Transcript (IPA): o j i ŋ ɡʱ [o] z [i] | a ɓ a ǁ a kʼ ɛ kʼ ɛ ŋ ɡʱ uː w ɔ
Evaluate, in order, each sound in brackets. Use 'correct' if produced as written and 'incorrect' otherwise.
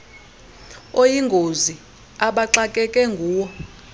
correct, correct

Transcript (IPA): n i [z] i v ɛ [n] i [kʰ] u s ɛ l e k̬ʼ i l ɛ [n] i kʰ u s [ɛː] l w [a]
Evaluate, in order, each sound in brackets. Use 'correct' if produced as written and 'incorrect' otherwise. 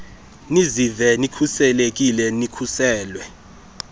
correct, correct, correct, correct, correct, incorrect: ɛ

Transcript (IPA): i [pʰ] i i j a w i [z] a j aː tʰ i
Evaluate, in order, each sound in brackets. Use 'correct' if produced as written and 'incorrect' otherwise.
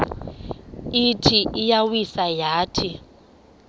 incorrect: tʰ, incorrect: s

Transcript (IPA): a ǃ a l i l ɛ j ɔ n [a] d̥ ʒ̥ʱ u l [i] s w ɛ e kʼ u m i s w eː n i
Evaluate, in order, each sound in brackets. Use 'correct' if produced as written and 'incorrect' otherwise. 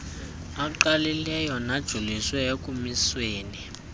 correct, correct

